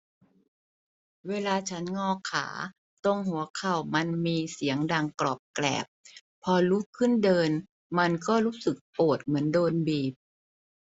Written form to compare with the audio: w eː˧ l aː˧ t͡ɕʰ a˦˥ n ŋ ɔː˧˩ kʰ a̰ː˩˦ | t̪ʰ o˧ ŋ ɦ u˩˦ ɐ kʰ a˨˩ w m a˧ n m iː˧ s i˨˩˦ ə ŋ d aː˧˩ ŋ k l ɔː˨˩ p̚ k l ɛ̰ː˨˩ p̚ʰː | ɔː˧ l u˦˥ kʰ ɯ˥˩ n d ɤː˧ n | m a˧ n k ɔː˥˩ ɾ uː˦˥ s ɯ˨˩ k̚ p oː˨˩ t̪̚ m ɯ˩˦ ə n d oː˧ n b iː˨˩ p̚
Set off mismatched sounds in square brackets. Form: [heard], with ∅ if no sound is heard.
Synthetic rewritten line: w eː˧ l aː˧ t͡ɕʰ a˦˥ n ŋ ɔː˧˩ kʰ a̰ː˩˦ | [t̪] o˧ ŋ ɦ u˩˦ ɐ kʰ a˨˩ w m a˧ n m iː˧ s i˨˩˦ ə ŋ d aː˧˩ ŋ k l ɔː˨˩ p̚ k l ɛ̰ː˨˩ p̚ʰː | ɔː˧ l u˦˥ kʰ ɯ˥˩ n d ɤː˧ n | m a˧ n k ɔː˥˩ ɾ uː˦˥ s ɯ˨˩ k̚ p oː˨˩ t̪̚ m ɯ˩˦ ə n d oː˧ n b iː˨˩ p̚